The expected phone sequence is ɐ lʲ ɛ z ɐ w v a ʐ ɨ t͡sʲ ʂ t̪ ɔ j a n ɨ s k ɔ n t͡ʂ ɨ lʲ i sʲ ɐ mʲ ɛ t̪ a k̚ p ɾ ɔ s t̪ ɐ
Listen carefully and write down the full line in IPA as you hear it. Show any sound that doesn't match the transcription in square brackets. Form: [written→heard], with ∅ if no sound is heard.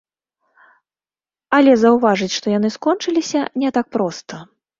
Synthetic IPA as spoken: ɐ lʲ ɛ z ɐ w v a ʐ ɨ t͡sʲ ʂ t̪ ɔ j a n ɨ s k ɔ n t͡ʂ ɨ lʲ i sʲ ɐ [mʲ→nʲ] ɛ t̪ a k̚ p ɾ ɔ s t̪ ɐ